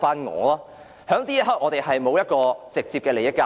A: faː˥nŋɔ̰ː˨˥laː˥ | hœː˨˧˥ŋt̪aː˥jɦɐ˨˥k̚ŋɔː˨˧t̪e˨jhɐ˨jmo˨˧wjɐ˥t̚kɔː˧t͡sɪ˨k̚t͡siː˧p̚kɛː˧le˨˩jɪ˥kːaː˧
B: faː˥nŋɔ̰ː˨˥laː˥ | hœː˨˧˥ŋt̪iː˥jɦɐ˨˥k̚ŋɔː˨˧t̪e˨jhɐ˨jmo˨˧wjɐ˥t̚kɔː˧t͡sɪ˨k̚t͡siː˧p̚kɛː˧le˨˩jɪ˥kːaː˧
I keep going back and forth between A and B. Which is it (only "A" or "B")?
B